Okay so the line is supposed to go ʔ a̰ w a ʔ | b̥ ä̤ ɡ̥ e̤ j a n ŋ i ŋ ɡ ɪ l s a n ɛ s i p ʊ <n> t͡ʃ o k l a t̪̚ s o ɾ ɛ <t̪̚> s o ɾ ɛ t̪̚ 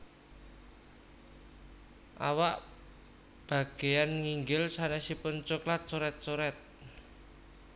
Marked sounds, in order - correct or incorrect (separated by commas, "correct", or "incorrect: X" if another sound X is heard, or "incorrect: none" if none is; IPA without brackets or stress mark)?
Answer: correct, correct